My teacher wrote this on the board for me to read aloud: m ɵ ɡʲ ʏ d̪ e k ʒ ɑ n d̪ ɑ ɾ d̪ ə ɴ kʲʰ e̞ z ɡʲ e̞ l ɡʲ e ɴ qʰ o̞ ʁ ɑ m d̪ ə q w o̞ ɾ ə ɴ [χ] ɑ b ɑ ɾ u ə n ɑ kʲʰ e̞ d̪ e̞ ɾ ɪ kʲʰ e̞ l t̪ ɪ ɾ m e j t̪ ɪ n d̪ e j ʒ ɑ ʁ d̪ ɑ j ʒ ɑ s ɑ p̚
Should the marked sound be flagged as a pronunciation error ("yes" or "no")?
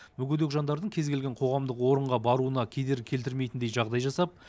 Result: yes